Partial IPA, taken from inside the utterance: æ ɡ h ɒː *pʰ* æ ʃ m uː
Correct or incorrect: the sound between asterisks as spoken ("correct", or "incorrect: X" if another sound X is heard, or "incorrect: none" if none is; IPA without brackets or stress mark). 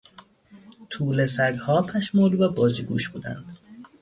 correct